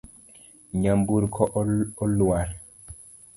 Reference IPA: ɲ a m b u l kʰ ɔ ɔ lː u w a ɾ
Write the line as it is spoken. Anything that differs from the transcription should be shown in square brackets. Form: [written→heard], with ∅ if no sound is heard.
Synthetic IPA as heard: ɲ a m b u [l→ɾ] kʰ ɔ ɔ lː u w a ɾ